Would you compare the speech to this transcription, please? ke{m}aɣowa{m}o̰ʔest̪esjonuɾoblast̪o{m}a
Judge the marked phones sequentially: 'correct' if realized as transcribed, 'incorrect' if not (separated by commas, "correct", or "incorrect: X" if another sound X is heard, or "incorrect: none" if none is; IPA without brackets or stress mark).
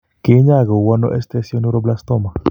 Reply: incorrect: ɲ, incorrect: n, correct